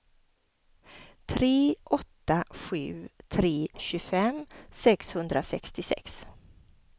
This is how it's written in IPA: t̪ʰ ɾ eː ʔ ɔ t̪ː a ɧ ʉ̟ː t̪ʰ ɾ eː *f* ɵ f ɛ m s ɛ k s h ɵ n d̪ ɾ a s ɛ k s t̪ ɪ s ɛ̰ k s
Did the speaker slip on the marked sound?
yes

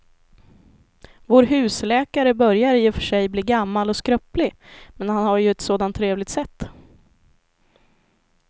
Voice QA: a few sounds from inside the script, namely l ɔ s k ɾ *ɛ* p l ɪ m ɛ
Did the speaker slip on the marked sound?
yes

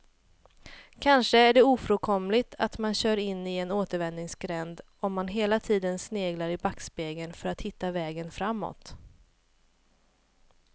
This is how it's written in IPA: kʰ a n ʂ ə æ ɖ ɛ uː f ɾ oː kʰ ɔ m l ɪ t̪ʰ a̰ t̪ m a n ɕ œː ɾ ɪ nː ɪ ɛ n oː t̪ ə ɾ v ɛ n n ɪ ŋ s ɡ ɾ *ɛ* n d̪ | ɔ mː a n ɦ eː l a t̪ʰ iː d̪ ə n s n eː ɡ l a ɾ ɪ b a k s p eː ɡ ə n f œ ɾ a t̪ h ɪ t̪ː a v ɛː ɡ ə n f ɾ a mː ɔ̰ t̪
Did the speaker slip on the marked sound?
no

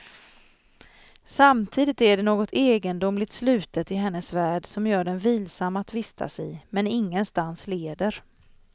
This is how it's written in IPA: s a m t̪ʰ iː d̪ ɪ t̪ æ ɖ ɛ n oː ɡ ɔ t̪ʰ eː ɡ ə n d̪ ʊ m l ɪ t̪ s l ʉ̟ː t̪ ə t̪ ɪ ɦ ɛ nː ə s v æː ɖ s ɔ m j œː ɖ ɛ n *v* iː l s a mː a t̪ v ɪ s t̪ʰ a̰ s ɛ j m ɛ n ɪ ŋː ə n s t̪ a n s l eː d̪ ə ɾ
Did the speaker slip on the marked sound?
no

